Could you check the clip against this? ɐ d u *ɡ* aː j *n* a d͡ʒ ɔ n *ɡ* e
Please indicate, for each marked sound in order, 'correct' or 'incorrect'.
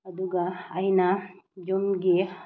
correct, correct, correct

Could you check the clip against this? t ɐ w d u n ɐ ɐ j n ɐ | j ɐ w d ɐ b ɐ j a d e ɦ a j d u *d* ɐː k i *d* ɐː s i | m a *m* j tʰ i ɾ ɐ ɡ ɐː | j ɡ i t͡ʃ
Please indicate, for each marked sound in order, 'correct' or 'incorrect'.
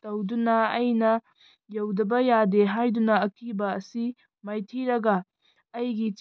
incorrect: n, incorrect: b, incorrect: none

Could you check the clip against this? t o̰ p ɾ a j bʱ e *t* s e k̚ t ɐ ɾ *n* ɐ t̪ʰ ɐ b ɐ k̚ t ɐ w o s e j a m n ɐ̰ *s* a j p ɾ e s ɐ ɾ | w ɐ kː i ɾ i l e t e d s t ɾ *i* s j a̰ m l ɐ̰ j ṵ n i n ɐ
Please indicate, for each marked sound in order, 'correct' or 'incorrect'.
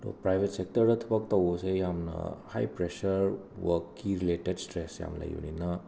correct, incorrect: d, incorrect: h, incorrect: e

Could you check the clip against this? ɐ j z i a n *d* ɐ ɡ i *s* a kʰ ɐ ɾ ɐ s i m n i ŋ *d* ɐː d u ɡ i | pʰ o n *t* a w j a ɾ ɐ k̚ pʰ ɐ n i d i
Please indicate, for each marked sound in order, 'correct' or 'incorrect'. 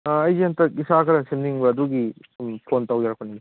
incorrect: t, correct, incorrect: b, correct

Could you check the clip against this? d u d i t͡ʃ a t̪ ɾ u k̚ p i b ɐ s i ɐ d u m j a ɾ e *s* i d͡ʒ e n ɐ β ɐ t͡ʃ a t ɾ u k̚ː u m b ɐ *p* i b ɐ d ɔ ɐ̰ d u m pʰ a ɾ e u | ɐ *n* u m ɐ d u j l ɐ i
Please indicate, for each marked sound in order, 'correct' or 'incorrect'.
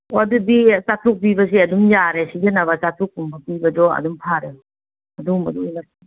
correct, correct, incorrect: d

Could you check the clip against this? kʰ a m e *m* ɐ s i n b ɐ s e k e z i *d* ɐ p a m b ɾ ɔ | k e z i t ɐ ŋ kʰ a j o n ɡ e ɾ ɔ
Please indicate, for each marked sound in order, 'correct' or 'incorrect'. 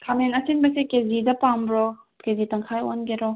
incorrect: n, correct

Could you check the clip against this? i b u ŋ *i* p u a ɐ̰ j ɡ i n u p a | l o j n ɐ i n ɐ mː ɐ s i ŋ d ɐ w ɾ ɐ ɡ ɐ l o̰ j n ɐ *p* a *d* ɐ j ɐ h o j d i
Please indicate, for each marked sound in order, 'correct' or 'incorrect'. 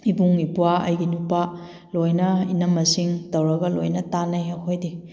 correct, incorrect: t, incorrect: n

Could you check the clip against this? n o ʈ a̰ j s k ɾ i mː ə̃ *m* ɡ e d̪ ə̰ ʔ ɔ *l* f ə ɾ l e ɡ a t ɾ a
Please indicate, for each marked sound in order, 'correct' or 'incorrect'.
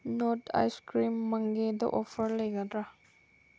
incorrect: ŋ, incorrect: none

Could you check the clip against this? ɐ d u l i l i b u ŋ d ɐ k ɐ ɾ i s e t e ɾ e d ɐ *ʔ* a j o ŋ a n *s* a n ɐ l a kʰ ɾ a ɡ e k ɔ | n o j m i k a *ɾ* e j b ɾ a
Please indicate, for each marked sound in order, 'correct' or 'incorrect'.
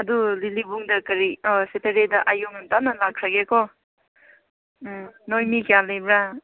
correct, incorrect: t, incorrect: l

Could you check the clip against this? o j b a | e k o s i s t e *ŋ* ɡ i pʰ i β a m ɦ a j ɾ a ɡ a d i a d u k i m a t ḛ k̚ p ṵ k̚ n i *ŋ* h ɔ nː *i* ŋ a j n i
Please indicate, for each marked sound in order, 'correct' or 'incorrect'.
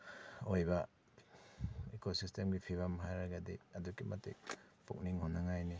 incorrect: m, correct, incorrect: a

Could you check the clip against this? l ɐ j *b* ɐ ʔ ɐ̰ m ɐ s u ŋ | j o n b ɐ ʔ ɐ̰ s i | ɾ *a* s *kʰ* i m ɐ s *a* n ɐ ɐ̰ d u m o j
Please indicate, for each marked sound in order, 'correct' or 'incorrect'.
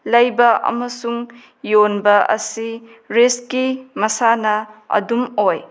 correct, incorrect: e, incorrect: k, correct

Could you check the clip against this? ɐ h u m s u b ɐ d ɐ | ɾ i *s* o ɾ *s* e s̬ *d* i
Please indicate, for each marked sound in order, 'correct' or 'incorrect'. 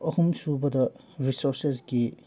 correct, correct, incorrect: ɡ

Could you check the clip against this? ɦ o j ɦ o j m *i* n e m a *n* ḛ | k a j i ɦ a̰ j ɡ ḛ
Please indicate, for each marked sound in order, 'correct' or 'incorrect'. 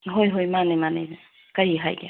incorrect: a, correct

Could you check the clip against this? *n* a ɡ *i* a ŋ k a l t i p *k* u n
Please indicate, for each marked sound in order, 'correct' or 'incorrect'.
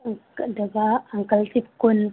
incorrect: d, incorrect: a, correct

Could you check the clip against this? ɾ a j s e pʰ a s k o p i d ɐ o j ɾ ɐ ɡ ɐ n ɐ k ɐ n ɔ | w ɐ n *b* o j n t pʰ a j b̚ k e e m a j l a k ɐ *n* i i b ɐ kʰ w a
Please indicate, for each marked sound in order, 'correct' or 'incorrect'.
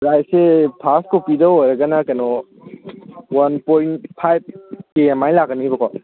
incorrect: p, correct

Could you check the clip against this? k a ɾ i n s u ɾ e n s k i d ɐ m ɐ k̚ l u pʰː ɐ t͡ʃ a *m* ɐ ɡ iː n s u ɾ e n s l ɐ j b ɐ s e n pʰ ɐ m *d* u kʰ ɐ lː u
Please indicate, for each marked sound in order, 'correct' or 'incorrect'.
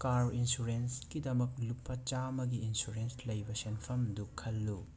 correct, correct

